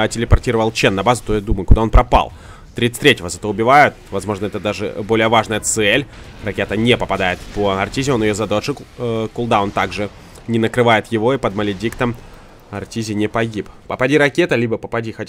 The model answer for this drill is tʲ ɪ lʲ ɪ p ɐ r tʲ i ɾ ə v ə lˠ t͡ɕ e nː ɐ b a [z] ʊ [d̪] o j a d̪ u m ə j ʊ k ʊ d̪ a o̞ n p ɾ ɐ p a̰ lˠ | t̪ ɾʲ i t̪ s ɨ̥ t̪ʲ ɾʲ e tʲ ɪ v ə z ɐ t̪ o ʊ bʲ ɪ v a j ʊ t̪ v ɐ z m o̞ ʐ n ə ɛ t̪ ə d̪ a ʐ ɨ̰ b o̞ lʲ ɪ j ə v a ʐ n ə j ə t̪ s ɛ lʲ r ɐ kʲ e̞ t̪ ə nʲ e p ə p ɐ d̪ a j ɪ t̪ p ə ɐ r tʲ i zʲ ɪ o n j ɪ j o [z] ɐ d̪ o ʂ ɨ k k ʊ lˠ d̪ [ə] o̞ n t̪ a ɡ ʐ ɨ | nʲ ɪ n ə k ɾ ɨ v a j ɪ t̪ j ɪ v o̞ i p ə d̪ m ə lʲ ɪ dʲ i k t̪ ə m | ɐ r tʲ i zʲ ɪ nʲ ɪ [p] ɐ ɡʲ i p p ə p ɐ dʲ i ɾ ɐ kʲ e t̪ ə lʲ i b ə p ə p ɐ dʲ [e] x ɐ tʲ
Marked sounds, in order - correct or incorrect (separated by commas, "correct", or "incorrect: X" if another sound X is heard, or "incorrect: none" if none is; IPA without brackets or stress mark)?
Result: correct, incorrect: t̪, correct, incorrect: a, correct, incorrect: i